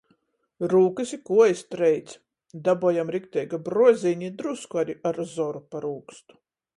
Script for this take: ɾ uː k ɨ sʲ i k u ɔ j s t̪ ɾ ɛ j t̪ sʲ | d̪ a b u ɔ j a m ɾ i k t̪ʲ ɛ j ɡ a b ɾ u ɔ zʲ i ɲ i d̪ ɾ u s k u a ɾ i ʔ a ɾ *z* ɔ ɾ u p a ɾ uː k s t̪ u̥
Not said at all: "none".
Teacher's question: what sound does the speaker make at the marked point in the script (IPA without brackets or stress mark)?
z